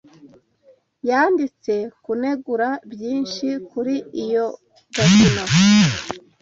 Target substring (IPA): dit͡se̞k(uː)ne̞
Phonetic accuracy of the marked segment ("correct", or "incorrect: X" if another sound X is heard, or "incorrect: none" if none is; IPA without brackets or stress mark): incorrect: u